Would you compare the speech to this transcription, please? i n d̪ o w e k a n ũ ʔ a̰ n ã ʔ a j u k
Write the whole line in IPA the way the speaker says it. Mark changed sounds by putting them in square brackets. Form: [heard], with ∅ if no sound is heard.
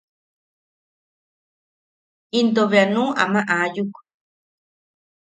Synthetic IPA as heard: i n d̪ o [β] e [∅] a n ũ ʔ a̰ [m] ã ʔ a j u k